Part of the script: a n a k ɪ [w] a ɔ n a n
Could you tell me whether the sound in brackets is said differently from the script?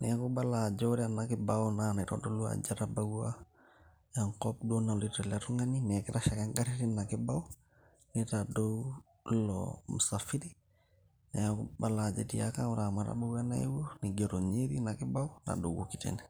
yes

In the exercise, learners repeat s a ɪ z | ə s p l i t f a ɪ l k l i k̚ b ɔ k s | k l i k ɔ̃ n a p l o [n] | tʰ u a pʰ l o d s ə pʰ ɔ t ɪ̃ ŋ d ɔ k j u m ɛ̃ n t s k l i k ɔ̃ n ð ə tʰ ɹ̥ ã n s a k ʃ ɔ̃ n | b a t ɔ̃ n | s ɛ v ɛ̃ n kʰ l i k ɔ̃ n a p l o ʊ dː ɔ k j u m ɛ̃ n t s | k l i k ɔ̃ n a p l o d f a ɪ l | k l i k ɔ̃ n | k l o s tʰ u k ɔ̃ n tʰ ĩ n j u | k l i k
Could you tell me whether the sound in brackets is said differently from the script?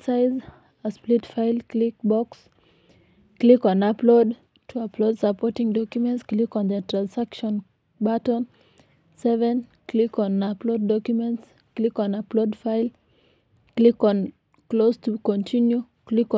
yes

